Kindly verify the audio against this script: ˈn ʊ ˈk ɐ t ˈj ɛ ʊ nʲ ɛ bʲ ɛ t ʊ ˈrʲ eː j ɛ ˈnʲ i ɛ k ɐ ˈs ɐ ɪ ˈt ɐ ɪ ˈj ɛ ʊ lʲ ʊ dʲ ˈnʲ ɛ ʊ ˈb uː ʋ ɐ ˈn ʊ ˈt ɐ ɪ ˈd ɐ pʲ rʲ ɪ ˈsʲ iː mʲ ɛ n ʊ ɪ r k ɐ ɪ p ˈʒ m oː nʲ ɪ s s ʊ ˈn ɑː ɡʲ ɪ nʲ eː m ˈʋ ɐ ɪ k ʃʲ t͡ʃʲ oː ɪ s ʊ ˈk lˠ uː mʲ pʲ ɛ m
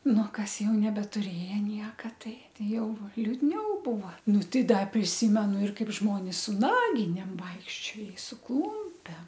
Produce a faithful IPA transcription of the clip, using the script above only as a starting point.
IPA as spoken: ˈn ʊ ˈk ɐ s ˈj ɛ ʊ nʲ ɛ bʲ ɛ t ʊ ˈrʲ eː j ɛ ˈnʲ i ɛ k ɐ ˈt ɐ ɪ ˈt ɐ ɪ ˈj ɛ ʊ lʲ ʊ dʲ ˈnʲ ɛ ʊ ˈb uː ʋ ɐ ˈn ʊ ˈt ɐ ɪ ˈd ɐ pʲ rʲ ɪ ˈsʲ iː mʲ ɛ n ʊ ɪ r k ɐ ɪ p ˈʒ m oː nʲ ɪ s s ʊ ˈn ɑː ɡʲ ɪ nʲ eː m ˈʋ ɐ ɪ k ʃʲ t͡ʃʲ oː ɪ s ʊ ˈk lˠ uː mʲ pʲ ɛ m